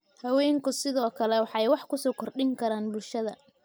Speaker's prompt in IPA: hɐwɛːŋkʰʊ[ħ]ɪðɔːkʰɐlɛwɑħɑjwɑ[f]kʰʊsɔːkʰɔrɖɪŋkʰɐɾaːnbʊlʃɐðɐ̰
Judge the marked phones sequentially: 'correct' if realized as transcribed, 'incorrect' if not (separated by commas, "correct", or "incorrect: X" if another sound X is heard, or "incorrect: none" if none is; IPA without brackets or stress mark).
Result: incorrect: s, incorrect: ħ